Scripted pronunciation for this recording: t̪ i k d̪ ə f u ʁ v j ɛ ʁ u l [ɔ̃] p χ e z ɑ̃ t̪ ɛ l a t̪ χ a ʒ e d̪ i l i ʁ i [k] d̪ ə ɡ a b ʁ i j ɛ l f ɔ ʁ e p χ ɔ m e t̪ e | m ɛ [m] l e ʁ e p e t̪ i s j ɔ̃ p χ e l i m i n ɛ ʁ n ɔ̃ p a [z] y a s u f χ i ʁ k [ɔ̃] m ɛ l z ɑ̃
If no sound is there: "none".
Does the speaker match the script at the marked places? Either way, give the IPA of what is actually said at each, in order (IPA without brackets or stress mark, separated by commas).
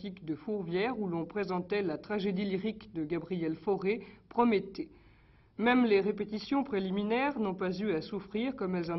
ɔ̃, k, m, z, ɔ